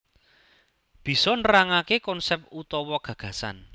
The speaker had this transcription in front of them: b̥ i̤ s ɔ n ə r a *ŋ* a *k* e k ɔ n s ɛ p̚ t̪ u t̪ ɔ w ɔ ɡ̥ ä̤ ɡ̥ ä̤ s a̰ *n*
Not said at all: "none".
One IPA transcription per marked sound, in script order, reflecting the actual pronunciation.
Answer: ŋ, k, n

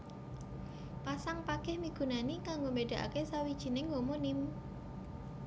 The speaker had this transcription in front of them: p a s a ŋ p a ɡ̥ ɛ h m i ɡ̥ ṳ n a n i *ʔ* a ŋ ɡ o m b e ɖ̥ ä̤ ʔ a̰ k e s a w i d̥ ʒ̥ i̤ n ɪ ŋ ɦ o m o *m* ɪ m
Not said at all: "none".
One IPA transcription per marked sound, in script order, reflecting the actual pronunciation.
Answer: k, n

